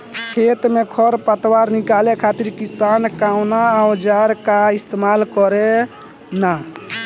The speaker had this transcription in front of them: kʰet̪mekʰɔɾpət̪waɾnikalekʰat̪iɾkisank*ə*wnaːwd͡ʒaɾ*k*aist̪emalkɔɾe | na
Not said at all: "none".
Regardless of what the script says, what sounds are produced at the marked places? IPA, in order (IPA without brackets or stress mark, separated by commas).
a, k